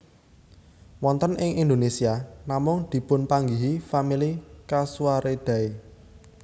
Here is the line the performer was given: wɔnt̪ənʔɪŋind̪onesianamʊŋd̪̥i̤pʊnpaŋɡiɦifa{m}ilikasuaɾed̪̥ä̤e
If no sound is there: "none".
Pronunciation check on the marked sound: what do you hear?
m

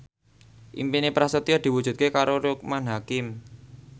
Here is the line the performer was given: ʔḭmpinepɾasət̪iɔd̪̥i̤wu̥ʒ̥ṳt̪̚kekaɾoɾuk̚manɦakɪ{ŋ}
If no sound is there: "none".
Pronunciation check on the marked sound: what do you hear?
m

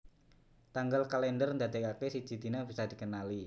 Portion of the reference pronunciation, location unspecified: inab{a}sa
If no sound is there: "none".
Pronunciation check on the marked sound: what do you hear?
i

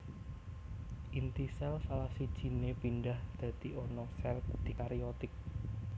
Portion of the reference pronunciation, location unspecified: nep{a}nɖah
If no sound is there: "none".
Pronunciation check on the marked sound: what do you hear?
i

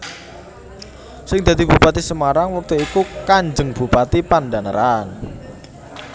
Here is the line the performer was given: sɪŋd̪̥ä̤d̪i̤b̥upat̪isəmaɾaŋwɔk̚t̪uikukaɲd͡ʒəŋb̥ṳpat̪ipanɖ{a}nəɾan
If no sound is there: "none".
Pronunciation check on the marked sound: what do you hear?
a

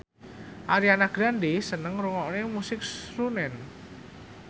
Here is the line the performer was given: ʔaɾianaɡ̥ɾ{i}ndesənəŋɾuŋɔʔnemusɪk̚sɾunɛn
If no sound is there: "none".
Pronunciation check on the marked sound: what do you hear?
a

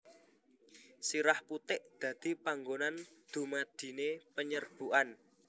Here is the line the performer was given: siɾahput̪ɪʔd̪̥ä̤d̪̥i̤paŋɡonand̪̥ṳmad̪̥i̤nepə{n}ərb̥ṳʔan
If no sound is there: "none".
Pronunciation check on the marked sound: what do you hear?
ɲ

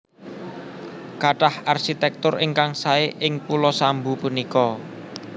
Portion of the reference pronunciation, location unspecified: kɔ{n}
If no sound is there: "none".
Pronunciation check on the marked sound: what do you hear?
none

